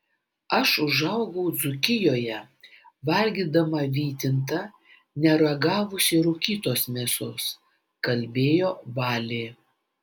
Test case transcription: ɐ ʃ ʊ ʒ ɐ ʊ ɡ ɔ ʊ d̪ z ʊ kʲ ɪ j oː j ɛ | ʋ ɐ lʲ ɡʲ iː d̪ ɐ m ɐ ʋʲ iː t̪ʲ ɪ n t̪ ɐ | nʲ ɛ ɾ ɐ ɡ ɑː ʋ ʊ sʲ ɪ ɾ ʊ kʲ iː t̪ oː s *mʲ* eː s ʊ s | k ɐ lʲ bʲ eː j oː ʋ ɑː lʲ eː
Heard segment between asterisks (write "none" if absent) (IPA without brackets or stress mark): mʲ